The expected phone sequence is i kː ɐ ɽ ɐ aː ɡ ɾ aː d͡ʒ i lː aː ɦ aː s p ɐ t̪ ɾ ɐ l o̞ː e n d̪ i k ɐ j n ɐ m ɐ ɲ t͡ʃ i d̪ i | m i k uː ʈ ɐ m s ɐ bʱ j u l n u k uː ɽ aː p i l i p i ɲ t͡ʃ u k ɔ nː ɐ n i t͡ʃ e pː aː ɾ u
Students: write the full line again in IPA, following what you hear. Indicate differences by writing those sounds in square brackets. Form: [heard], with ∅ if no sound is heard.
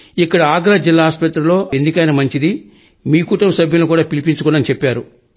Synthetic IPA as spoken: i kː ɐ ɽ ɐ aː ɡ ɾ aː d͡ʒ i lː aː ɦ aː s p ɐ t̪ ɾ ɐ l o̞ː e n d̪ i k ɐ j n ɐ m ɐ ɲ t͡ʃ i d̪ i | m [iː] k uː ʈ ɐ m s ɐ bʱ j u l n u k uː ɽ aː p i l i p i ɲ t͡ʃ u k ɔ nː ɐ n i t͡ʃ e pː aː ɾ u